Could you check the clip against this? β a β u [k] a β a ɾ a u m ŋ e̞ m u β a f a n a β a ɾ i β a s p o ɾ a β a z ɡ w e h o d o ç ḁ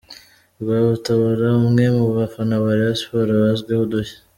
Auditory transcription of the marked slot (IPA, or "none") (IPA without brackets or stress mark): t